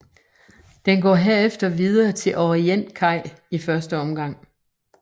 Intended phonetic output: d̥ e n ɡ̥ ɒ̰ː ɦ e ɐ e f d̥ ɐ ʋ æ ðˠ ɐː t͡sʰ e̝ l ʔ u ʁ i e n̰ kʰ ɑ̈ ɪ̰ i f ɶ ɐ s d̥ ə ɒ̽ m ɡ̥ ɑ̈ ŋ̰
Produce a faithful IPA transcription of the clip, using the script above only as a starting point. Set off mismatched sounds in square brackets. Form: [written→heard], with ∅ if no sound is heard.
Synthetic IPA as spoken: d̥ e n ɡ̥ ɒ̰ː ɦ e ɐ e f d̥ ɐ ʋ [æ→i] ðˠ ɐː t͡sʰ e̝ l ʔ [u→ɒ] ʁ i e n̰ kʰ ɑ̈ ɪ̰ i f ɶ ɐ s d̥ ə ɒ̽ m ɡ̥ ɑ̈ ŋ̰